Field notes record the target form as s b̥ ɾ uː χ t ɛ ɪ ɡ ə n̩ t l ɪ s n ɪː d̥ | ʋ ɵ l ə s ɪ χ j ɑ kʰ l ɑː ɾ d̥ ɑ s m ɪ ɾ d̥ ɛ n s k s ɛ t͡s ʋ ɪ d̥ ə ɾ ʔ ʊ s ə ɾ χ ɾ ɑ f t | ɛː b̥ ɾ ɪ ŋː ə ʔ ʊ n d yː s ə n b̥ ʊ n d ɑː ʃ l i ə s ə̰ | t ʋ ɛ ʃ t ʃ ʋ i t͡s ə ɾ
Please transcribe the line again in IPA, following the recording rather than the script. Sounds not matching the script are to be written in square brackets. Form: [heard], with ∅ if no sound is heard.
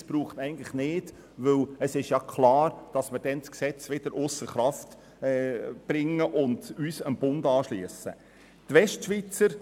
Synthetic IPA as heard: s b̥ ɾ uː χ t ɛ ɪ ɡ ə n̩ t l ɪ [χ] n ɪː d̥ | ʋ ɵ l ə s ɪ [ʃ] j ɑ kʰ l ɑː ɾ d̥ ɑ s m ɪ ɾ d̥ ɛ n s k s ɛ t͡s ʋ ɪ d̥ ə ɾ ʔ ʊ s ə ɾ χ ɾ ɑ f t | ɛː b̥ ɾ ɪ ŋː ə ʔ ʊ n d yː s ə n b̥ ʊ n d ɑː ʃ l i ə s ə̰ | t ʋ ɛ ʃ t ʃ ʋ i t͡s ə ɾ